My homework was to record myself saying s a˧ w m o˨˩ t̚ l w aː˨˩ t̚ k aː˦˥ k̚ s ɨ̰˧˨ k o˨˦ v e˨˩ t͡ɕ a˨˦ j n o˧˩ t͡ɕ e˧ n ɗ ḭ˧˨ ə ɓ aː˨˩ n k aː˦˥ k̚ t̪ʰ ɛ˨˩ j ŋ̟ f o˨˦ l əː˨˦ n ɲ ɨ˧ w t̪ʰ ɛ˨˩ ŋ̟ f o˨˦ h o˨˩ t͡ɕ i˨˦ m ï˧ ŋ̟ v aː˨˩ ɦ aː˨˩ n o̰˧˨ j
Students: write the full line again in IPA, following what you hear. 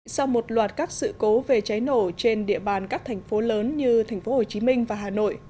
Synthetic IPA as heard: s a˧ w m o˨˩ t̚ l w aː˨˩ t̚ k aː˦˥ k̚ s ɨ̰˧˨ k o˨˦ v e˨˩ t͡ɕ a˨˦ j n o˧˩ t͡ɕ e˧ n ɗ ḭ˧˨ ə ɓ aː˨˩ n k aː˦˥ k̚ t̪ʰ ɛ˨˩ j ŋ̟ f o˨˦ l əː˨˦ n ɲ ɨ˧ t̪ʰ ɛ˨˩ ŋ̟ f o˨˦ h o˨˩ t͡ɕ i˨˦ m ï˧ ŋ̟ v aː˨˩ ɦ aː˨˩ n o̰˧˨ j